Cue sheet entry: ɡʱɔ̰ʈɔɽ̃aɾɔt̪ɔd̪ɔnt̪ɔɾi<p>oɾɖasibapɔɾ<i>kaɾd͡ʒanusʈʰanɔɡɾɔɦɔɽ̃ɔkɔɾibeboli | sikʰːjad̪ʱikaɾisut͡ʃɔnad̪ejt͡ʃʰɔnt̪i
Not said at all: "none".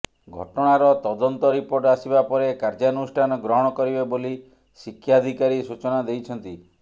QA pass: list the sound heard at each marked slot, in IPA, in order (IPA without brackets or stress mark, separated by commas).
p, e